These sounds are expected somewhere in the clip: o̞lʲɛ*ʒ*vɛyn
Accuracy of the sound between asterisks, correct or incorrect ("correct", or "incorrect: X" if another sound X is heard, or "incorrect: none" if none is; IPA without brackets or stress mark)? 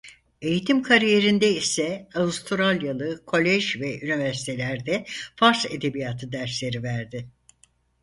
correct